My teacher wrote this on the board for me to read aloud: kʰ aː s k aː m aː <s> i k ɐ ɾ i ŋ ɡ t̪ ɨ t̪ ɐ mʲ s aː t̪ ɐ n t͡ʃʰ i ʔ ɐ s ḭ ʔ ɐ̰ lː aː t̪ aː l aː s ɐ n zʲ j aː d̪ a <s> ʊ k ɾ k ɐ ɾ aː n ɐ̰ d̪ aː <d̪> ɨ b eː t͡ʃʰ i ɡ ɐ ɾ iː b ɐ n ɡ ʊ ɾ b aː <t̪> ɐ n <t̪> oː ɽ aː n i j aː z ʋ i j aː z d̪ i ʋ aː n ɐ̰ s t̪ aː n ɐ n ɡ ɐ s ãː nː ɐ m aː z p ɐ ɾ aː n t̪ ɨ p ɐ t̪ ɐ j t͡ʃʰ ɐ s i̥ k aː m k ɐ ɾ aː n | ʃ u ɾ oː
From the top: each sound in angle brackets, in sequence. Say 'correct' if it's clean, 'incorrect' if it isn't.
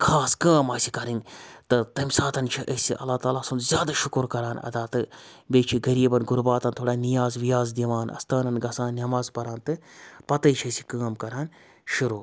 correct, incorrect: ʃ, incorrect: t̪, correct, incorrect: t̪ʰ

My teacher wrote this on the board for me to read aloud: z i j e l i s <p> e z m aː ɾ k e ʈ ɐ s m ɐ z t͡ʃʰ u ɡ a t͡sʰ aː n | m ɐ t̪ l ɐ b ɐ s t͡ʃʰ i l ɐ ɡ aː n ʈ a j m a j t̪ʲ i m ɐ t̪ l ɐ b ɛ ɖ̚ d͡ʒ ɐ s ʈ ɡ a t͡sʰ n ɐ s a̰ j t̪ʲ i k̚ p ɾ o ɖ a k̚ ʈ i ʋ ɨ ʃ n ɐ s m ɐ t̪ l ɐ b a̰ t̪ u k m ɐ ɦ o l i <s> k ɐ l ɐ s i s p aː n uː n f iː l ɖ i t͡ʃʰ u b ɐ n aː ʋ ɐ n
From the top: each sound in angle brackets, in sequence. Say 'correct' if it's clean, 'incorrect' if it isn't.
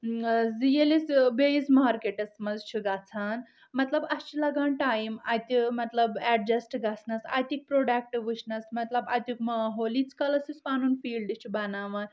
incorrect: b, incorrect: t͡s

